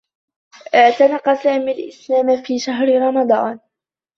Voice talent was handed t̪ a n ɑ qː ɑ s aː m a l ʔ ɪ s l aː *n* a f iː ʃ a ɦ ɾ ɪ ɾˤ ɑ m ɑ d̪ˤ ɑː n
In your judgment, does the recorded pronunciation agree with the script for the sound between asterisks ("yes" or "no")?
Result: no